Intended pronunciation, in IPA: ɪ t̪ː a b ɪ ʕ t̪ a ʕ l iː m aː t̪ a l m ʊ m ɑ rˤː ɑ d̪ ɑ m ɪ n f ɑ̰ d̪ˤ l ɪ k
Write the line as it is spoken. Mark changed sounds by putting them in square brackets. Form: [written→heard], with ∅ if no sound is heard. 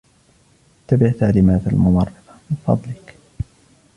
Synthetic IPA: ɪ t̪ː a b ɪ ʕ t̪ a ʕ l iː m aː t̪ a l m ʊ m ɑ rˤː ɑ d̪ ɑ m ɪ n f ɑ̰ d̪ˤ l ɪ k

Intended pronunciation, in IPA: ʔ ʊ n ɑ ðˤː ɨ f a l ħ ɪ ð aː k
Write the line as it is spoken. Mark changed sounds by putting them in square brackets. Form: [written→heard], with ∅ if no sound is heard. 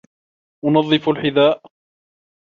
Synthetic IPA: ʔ ʊ n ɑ ðˤː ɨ f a l ħ ɪ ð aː [k→ʔ]

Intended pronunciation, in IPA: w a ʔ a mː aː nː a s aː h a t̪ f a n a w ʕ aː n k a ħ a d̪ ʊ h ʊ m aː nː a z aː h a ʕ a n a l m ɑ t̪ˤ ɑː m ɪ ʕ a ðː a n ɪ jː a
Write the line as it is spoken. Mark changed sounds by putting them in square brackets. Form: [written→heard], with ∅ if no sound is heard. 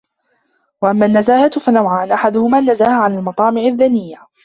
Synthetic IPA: w a ʔ a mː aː nː a [s→z] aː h a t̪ f a n a w ʕ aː n [k→ʔ] a ħ a d̪ ʊ h ʊ m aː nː a z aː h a ʕ a n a l m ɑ t̪ˤ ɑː m ɪ ʕ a ðː a n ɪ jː a

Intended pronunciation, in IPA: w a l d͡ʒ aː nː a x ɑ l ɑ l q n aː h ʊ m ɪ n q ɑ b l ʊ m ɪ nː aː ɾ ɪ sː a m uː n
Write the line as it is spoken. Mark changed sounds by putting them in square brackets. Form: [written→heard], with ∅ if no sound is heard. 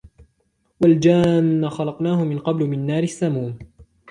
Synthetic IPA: w a l d͡ʒ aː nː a x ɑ l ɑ [l→∅] q n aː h ʊ m ɪ n q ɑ b l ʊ m ɪ nː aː ɾ ɪ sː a m uː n

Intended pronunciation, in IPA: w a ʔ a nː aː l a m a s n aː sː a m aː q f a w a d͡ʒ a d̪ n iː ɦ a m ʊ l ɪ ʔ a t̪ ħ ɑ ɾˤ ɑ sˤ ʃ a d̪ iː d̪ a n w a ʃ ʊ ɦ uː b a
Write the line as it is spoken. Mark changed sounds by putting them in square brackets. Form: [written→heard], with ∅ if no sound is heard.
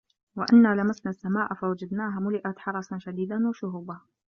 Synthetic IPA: w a ʔ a nː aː l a m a s n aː sː a m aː [q→ʔ] f a w a d͡ʒ a d̪ n [iː→aː] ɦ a m ʊ l ɪ ʔ a t̪ ħ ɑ ɾˤ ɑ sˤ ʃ a d̪ iː d̪ a n w a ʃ ʊ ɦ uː b a

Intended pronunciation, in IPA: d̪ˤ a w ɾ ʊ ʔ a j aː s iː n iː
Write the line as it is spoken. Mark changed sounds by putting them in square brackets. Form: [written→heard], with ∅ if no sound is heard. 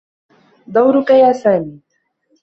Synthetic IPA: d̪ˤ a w ɾ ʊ [ʔ→k] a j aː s [iː→aː] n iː

